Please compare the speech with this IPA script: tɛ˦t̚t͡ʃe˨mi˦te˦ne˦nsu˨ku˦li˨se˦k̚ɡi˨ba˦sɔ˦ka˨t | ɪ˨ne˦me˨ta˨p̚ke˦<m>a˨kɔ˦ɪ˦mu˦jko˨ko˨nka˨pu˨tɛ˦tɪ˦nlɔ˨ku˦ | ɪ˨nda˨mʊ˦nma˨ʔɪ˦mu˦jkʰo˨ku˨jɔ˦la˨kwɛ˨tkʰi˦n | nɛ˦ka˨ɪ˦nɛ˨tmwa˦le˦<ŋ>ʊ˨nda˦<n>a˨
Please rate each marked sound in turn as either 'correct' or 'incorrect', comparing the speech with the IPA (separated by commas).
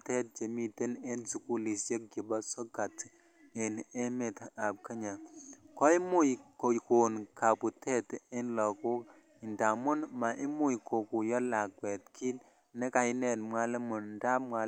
incorrect, incorrect, incorrect